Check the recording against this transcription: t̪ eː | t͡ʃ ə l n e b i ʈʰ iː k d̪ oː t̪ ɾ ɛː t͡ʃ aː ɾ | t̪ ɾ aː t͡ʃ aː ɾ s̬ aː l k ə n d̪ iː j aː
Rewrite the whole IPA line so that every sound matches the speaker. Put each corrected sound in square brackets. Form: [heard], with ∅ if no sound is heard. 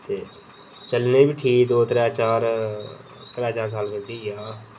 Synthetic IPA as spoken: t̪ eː | t͡ʃ ə l n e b i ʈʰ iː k d̪ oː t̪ ɾ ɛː t͡ʃ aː ɾ | t̪ ɾ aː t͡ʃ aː ɾ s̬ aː l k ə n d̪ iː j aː